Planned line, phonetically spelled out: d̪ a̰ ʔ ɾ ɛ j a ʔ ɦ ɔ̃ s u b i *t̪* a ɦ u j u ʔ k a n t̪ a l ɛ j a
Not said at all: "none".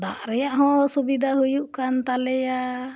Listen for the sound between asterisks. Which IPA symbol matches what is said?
d̪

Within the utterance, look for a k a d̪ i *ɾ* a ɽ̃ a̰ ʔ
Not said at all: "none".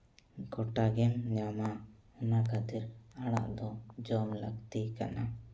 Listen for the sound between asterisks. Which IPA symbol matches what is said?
ɾ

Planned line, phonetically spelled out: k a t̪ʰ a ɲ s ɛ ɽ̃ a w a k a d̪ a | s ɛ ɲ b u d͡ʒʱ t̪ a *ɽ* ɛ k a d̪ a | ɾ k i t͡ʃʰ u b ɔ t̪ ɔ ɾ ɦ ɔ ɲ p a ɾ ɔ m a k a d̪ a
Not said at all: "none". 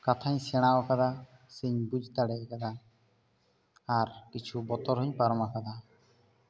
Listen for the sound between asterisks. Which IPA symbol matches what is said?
ɽ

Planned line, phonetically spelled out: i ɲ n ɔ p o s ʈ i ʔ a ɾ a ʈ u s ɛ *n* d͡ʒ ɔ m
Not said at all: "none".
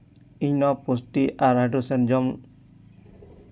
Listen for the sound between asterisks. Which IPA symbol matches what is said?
n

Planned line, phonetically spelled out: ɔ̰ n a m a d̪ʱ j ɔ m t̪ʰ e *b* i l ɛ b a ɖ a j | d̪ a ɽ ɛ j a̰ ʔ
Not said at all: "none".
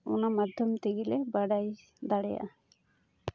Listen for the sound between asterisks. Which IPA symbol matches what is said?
ɡ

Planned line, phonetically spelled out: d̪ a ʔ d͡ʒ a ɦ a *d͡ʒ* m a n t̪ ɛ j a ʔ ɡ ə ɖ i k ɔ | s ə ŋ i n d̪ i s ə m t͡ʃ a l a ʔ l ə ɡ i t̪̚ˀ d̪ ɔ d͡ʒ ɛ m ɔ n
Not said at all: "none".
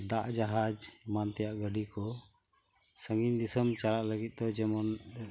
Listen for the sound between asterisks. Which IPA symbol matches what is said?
d͡ʒ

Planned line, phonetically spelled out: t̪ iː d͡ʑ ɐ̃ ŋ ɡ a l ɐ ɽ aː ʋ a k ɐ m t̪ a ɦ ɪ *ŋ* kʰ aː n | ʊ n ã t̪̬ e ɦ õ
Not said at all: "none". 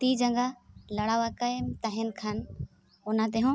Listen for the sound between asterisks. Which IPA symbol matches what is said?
n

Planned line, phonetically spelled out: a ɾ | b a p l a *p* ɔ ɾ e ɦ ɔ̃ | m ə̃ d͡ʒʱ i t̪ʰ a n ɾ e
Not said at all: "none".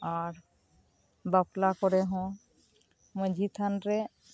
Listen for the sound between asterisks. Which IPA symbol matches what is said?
k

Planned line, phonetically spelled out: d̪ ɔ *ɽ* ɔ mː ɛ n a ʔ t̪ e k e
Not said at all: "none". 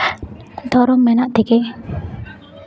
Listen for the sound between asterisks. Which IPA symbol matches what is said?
ɾ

